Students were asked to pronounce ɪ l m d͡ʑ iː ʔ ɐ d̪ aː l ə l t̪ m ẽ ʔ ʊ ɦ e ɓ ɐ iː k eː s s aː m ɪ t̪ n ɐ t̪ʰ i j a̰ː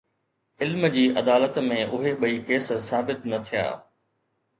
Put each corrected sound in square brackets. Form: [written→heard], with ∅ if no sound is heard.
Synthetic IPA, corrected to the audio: ɪ l m d͡ʑ iː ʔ ɐ d̪ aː l ə [l→∅] t̪ m ẽ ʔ ʊ ɦ e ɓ ɐ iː k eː s s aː [m→b] ɪ t̪ n ɐ t̪ʰ i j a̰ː